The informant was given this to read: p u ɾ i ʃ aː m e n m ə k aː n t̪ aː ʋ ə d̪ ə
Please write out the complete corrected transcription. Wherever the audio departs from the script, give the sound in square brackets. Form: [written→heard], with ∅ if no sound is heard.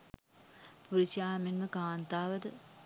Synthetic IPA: p u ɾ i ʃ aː m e n m ə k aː n t̪ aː ʋ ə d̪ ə